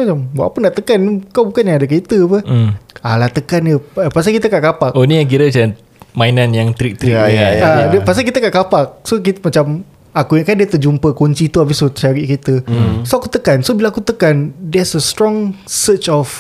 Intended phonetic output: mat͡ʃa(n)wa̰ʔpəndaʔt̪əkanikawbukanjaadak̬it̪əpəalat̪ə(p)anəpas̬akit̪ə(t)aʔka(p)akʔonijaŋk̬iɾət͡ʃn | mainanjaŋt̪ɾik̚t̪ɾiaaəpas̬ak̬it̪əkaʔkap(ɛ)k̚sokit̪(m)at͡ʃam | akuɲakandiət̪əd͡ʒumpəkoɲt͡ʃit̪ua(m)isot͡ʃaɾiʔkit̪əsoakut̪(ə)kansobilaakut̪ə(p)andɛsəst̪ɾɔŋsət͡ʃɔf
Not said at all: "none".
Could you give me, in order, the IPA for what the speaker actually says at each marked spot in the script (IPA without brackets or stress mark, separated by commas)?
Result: m, k, k, p, a, m, b, ə, k